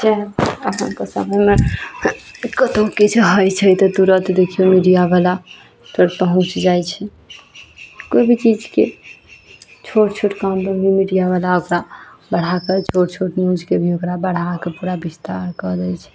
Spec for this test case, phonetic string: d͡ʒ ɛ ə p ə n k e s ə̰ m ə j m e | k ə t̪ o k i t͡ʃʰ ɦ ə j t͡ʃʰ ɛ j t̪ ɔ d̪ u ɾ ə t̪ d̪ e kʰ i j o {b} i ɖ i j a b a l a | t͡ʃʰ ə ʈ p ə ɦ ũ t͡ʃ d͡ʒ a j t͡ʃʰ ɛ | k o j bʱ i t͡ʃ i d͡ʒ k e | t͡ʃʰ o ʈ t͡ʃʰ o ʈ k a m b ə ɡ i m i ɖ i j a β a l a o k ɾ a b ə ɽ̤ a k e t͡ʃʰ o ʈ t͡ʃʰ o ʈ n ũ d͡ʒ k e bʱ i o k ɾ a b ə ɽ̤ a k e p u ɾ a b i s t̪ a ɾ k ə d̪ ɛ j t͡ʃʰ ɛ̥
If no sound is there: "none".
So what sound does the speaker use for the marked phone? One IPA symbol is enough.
m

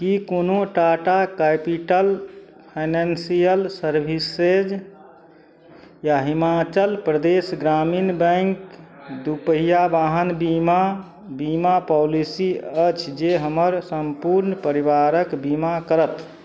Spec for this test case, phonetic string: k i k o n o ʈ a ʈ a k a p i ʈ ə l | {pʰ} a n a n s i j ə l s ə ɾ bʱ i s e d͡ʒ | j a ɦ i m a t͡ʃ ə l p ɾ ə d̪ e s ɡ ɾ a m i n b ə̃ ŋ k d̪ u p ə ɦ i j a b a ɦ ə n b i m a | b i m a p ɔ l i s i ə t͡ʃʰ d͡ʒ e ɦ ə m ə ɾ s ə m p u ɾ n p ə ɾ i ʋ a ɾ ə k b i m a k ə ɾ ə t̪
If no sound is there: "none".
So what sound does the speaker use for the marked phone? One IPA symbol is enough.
pʰ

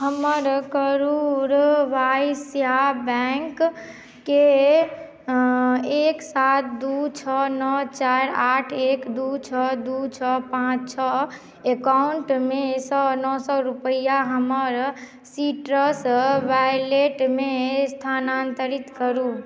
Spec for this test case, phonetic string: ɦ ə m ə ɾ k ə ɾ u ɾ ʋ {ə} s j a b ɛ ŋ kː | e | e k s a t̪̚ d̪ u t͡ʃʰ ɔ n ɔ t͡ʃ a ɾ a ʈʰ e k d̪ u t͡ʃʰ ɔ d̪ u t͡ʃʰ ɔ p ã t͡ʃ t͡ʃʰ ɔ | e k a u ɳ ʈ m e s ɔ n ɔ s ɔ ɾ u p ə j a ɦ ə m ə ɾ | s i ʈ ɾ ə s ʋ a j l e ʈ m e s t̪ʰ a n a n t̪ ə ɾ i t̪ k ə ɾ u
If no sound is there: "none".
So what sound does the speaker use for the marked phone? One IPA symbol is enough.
a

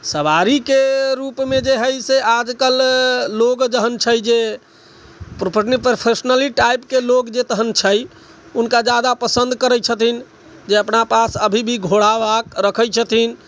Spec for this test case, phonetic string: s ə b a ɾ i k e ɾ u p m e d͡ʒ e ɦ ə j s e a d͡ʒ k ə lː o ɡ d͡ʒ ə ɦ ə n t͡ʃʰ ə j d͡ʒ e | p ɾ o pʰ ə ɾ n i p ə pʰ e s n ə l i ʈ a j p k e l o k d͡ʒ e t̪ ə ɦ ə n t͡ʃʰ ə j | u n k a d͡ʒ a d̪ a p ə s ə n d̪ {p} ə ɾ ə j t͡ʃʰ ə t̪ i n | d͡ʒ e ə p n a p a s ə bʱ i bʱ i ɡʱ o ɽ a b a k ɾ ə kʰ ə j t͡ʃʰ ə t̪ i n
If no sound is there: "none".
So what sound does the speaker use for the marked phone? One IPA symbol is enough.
k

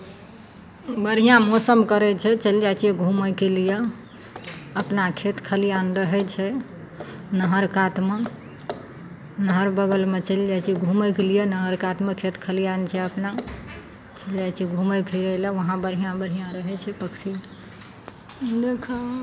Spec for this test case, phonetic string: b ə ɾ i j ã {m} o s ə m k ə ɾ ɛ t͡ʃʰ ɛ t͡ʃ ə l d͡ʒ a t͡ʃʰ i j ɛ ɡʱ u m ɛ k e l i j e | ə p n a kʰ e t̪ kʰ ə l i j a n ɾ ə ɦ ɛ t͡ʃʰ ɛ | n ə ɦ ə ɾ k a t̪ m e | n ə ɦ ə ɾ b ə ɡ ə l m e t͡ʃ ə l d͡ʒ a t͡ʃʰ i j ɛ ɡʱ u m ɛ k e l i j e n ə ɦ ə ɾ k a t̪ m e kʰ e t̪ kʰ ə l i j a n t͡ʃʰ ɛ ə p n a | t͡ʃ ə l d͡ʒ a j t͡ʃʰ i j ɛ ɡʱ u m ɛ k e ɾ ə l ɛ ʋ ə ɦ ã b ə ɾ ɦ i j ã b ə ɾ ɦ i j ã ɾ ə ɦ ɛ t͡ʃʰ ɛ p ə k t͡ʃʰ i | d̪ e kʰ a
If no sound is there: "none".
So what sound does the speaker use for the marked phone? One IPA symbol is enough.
m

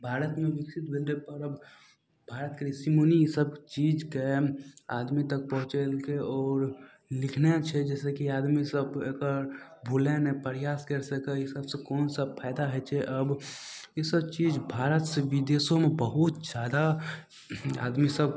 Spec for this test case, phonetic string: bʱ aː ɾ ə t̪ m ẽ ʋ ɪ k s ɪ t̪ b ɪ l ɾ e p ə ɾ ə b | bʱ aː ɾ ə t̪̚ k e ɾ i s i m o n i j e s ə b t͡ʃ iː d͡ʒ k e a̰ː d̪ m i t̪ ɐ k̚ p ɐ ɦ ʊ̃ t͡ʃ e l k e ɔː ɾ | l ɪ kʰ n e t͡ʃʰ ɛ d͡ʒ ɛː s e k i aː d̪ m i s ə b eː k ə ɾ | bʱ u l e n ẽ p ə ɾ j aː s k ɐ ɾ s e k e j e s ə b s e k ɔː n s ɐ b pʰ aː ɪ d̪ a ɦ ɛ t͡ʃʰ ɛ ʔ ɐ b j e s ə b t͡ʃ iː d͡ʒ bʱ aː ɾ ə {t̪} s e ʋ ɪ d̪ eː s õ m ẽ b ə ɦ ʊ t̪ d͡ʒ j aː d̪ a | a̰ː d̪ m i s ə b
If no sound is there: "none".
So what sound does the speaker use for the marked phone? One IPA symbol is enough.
t̪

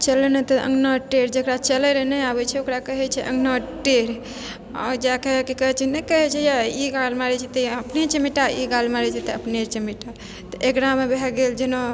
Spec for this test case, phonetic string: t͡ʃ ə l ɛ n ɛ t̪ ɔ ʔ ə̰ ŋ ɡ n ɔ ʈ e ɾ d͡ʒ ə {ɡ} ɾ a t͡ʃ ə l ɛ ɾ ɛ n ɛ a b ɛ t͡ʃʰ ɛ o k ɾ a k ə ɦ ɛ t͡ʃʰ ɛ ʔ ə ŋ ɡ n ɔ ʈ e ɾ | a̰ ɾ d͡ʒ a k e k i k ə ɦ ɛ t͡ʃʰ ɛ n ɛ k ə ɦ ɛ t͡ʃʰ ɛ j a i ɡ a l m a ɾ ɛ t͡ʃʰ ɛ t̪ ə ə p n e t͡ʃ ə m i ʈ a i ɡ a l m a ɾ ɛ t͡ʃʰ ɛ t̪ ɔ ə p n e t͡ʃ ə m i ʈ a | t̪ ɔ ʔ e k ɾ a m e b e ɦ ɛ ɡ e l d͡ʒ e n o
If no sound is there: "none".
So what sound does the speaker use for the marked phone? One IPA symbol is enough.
k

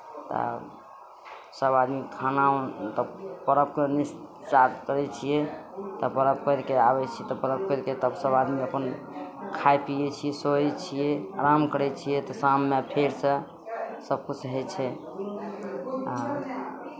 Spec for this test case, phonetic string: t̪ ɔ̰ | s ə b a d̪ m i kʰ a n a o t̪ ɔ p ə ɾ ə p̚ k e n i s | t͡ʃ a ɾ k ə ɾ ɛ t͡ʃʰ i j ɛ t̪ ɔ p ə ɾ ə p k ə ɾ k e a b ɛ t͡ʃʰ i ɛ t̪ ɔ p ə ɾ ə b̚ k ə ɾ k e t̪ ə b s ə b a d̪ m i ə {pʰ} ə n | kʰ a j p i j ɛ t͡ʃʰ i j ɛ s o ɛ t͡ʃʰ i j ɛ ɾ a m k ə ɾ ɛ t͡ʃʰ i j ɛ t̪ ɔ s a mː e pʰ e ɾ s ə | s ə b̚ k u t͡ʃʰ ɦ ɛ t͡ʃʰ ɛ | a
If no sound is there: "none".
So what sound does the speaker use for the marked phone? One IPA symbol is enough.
p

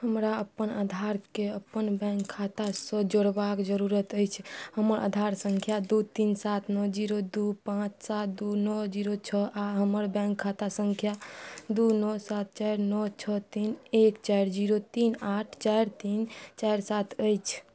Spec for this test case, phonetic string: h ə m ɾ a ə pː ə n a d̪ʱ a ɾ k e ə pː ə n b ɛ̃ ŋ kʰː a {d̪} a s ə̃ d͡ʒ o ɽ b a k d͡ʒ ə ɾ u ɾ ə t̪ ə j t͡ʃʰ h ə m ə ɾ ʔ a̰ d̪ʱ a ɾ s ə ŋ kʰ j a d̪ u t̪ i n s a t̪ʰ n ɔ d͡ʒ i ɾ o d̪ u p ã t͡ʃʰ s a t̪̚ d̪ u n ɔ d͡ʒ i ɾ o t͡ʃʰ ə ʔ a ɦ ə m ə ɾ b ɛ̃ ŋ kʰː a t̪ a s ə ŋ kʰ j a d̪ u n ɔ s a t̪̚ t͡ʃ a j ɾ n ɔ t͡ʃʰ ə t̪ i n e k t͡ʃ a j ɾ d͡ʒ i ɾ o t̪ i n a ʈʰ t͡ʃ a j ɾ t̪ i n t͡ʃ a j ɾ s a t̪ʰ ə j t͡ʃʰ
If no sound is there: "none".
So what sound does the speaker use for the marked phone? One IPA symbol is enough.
t̪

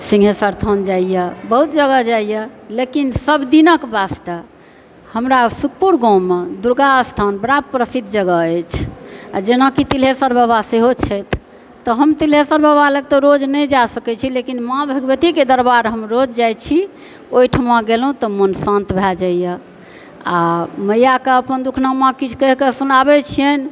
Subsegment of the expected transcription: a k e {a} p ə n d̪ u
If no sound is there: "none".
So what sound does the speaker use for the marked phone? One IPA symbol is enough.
ə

